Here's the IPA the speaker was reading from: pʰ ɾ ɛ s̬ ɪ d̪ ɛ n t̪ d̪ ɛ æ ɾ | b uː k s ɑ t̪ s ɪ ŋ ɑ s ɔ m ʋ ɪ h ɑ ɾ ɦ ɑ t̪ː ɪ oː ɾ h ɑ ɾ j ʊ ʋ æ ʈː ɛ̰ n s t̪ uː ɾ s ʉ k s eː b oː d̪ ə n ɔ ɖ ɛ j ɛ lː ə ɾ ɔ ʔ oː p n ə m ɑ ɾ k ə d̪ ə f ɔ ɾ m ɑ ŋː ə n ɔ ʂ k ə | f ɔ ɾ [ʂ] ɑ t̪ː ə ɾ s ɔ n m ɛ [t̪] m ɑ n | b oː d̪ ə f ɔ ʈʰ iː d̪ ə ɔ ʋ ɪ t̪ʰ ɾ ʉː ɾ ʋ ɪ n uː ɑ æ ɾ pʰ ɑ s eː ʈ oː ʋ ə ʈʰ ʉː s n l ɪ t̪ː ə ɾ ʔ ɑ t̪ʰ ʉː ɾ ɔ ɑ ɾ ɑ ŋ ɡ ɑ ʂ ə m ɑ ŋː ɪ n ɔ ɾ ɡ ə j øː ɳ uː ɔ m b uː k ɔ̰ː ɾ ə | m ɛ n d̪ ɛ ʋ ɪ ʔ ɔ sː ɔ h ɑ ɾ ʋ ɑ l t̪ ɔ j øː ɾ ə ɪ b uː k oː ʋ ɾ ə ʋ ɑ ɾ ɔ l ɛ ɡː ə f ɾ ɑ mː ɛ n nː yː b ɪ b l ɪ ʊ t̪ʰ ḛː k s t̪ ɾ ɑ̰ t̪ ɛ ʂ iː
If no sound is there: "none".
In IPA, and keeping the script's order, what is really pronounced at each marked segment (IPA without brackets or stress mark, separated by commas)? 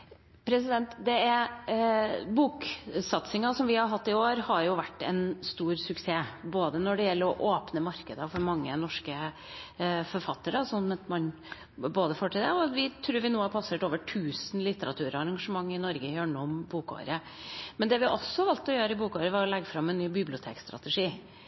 f, t̪